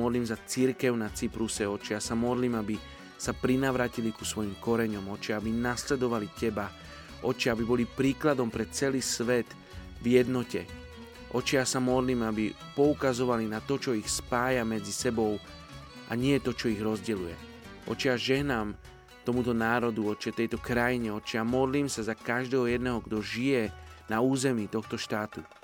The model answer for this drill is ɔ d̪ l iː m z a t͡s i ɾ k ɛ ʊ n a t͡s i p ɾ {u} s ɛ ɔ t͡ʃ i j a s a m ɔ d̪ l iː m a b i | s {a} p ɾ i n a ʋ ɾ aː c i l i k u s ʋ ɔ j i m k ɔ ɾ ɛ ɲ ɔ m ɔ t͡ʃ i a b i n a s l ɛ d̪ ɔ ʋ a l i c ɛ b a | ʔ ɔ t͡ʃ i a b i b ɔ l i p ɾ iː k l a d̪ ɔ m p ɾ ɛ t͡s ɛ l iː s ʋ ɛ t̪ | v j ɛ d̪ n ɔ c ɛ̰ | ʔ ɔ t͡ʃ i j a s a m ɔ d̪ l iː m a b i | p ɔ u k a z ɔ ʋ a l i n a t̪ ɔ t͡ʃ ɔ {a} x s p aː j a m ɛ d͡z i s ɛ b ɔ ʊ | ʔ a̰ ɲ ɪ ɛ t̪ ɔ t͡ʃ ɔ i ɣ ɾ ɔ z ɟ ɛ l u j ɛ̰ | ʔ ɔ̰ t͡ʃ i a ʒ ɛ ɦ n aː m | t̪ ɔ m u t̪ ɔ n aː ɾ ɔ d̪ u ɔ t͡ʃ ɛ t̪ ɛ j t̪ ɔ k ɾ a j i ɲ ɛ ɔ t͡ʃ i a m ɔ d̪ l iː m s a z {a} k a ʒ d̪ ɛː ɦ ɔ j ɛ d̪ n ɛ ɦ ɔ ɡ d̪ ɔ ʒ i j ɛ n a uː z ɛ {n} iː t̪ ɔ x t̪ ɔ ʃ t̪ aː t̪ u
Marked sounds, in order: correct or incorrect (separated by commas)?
correct, correct, incorrect, correct, incorrect